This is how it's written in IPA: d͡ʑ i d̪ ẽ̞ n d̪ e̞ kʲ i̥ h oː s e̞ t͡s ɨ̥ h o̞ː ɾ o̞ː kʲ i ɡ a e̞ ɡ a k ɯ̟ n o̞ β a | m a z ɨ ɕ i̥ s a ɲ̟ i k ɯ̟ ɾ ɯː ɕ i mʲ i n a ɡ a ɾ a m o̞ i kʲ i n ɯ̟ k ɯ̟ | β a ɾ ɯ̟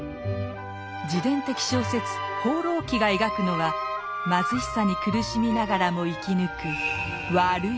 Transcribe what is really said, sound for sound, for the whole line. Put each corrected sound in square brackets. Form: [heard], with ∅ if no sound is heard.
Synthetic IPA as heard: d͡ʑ i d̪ ẽ̞ n [t̪] e̞ kʲ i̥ [ɕ] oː s e̞ t͡s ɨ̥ h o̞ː ɾ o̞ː kʲ i ɡ a e̞ ɡ a k ɯ̟ n o̞ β a | m a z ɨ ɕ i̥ s a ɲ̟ i k ɯ̟ ɾ [ɯ] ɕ i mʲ i n a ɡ a ɾ a m o̞ i kʲ i n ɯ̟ k ɯ̟ | β a ɾ ɯ̟

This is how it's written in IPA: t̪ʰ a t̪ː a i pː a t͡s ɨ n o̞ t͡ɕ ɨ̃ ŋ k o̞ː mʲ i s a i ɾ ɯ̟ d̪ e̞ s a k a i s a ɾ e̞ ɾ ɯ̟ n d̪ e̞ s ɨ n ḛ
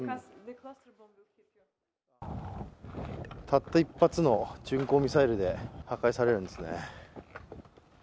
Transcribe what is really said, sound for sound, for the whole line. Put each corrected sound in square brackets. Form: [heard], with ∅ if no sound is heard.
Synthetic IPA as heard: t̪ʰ a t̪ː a i pː a t͡s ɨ n o̞ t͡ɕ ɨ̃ ŋ k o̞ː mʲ i s a i ɾ ɯ̟ d̪ e̞ [h] a k a i s a ɾ e̞ ɾ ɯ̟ n d̪ e̞ s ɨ n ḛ

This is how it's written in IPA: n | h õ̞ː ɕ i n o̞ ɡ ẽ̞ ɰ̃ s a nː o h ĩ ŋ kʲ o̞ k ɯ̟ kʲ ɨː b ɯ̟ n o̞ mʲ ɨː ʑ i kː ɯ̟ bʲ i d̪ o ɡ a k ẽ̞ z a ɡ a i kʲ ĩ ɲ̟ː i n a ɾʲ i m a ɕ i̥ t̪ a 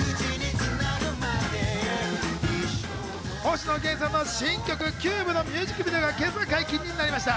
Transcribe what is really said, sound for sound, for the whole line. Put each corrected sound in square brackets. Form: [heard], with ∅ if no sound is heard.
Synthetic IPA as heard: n | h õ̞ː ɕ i n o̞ ɡ ẽ̞ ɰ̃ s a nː o [ɕ] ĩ ŋ kʲ o̞ k ɯ̟ kʲ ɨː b ɯ̟ n o̞ mʲ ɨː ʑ i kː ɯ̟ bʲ i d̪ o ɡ a k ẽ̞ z a [k] a i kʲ ĩ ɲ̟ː i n a ɾʲ i m a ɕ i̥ t̪ a

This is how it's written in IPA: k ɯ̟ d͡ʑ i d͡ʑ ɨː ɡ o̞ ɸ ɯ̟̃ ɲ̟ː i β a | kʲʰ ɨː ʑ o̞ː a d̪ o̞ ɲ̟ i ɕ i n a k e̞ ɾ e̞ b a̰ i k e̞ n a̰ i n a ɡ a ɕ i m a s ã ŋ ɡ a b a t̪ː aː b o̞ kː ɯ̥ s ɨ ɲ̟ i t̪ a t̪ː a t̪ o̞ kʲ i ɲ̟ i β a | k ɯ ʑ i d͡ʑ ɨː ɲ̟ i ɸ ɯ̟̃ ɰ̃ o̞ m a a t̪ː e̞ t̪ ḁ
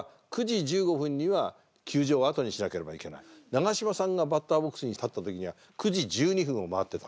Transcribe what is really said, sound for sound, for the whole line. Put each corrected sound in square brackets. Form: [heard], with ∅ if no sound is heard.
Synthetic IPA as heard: k ɯ̟ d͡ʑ i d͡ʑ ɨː ɡ o̞ ɸ ɯ̟̃ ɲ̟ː i β a | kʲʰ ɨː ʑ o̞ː a [t̪] o̞ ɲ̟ i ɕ i n a k e̞ ɾ e̞ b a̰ i k e̞ n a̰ i n a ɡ a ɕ i m a s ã ŋ ɡ a b a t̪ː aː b o̞ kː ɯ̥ s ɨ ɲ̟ i t̪ a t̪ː a t̪ o̞ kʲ i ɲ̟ i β a | k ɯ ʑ i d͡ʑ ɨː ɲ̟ i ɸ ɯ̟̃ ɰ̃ o̞ m a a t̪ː e̞ t̪ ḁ

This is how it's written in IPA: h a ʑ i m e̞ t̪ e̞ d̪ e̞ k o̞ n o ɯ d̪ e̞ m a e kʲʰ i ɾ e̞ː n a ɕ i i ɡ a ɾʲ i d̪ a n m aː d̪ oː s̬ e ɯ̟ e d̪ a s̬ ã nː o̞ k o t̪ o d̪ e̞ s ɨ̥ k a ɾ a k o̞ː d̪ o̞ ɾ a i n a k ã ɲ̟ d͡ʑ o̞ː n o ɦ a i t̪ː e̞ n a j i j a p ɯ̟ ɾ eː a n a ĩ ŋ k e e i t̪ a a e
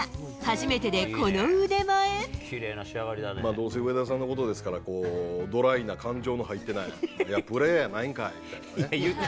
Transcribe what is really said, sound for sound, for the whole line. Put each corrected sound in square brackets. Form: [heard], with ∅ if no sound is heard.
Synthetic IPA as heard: h a ʑ i m e̞ t̪ e̞ d̪ e̞ k o̞ n o ɯ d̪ e̞ m a e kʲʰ i ɾ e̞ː n a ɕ i [a] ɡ a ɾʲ i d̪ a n m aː d̪ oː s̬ e ɯ̟ e d̪ a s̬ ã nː o̞ k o t̪ o d̪ e̞ s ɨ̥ k a ɾ a k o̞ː d̪ o̞ ɾ a i n a k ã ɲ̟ d͡ʑ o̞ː n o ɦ a i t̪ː e̞ n a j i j a p ɯ̟ ɾ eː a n a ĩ ŋ k [a] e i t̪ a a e

